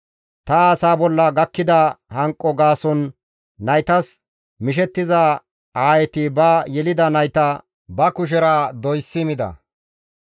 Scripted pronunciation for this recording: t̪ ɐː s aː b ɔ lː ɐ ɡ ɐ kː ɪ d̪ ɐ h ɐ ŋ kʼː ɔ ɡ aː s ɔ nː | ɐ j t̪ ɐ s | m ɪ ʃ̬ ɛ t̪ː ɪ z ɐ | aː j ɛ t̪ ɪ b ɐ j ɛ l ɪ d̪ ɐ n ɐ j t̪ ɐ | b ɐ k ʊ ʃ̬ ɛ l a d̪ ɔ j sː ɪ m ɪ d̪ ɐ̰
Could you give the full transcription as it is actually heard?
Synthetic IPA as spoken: t̪ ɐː s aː b ɔ lː ɐ ɡ ɐ kː ɪ d̪ ɐ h ɐ ŋ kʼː ɔ ɡ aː s ɔ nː | ɐ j t̪ ɐ s | m ɪ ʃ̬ ɛ t̪ː ɪ z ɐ | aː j ɛ t̪ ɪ b ɐ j ɛ l ɪ d̪ ɐ n ɐ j t̪ ɐ | b ɐ k ʊ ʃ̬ ɛ ɾ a d̪ ɔ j sː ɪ m ɪ d̪ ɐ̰